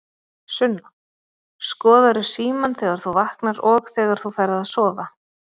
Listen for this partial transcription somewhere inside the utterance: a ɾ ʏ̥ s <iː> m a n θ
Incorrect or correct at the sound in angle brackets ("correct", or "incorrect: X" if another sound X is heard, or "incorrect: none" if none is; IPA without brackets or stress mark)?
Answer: correct